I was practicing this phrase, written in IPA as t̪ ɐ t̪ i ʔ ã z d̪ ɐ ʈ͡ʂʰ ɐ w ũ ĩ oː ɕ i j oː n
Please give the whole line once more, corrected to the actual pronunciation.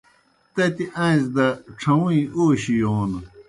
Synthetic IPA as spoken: t̪ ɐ t̪ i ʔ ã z d̪ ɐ ʈ͡ʂʰ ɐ w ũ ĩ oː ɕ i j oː n

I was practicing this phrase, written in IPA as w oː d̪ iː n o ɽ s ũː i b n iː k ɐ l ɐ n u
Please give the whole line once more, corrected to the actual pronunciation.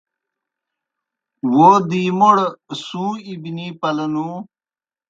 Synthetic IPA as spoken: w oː d̪ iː m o ɽ s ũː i b n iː p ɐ l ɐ n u

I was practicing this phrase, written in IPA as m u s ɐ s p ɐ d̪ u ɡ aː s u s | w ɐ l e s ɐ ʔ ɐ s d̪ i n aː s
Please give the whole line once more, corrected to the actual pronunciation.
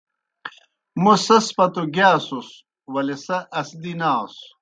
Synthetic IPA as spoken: m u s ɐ s p ɐ t̪ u ɡ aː s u s | w ɐ l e s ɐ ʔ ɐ s d̪ i n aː s

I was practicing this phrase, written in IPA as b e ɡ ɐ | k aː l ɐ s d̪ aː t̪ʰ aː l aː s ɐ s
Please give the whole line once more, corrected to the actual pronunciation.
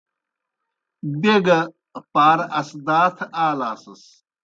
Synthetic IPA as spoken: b e ɡ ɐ | p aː ɾ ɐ s d̪ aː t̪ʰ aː l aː s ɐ s

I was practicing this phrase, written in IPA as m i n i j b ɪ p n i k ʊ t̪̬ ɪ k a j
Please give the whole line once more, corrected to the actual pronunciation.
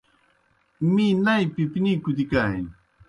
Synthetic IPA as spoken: m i n a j p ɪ p n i k ʊ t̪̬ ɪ k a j

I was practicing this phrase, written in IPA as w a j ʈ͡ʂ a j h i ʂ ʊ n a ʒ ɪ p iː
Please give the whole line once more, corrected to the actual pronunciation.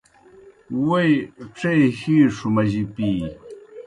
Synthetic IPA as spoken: w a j ʈ͡ʂ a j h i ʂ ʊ m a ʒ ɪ p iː

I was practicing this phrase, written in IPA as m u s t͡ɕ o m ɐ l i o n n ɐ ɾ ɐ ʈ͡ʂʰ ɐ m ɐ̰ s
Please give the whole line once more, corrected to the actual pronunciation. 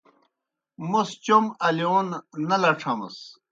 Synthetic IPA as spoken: m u s t͡ɕ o m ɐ l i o n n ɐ l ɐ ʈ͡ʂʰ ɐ m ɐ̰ s

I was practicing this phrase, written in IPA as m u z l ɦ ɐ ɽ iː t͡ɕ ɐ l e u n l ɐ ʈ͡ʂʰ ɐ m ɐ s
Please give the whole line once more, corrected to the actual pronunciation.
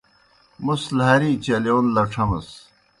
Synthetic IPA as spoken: m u s l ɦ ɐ ɾ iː t͡ɕ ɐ l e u n l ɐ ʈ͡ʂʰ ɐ m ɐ s

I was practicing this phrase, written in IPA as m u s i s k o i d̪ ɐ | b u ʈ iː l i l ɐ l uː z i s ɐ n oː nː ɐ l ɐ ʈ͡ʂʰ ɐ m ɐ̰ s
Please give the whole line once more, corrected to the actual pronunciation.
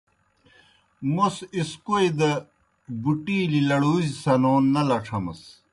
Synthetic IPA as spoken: m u s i s k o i d̪ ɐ | b u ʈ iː l i l ɐ ɽ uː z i s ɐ n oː nː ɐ l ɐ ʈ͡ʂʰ ɐ m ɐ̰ s

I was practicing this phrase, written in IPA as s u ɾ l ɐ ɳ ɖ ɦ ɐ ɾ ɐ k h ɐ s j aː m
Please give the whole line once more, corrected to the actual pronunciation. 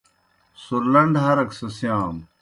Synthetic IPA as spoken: s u ɾ l ɐ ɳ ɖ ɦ ɐ ɾ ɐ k s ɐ s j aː m

